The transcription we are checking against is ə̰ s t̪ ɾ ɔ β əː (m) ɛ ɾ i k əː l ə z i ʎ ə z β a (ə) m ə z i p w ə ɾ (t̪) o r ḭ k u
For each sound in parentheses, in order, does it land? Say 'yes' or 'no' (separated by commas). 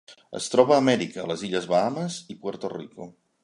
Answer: yes, no, yes